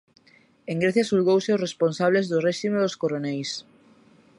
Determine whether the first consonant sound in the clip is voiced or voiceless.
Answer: voiced